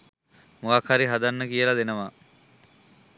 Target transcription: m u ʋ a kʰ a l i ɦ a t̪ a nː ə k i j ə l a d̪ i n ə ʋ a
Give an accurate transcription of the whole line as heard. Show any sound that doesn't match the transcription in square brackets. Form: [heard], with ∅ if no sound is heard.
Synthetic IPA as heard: m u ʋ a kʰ a [ɾ] i ɦ a [d̪] a nː ə k i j ə l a d̪ [e] n ə ʋ a